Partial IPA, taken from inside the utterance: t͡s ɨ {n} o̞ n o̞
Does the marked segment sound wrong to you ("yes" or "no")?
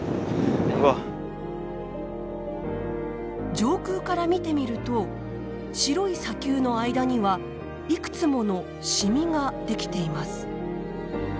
yes